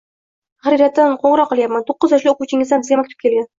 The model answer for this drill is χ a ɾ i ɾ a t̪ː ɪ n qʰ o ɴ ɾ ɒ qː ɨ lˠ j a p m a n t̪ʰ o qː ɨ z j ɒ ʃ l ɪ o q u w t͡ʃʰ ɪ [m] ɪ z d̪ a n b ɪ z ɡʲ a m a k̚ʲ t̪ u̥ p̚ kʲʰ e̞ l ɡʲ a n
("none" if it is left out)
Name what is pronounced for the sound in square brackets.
ŋ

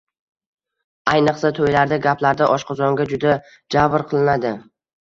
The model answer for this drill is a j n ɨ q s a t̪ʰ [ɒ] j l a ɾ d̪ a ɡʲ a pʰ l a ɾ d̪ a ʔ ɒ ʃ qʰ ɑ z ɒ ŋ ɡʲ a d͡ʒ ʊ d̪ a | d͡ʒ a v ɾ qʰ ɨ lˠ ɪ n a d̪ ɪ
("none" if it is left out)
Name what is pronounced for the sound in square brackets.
o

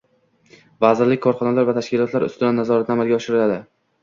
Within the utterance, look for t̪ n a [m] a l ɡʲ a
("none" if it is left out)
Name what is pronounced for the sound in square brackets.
m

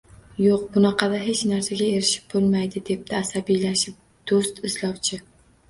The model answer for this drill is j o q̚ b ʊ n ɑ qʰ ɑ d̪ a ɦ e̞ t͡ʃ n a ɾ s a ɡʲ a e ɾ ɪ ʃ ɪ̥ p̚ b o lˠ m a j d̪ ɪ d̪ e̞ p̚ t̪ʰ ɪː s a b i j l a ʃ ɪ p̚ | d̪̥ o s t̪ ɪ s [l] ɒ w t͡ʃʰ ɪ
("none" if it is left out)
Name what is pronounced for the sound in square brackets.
l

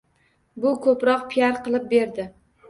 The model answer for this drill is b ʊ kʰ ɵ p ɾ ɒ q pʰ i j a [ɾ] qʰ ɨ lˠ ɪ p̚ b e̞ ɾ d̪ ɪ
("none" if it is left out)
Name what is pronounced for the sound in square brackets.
ɾ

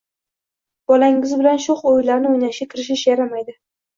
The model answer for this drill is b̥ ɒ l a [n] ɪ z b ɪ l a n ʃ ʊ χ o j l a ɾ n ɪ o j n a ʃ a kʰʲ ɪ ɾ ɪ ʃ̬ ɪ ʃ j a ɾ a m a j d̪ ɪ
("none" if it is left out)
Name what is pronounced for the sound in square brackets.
ŋ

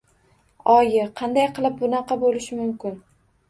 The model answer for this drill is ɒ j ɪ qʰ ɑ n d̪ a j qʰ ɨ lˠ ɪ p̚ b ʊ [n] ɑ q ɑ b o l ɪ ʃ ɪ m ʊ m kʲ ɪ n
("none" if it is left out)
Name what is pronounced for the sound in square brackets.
n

